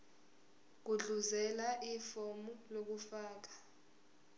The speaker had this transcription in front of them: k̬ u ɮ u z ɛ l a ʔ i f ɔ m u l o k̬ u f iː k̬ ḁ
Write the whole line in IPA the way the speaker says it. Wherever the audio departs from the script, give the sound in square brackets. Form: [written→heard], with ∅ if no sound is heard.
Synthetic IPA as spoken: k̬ u ɮ u z ɛ l a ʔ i f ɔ m u l o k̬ u f [iː→aː] k̬ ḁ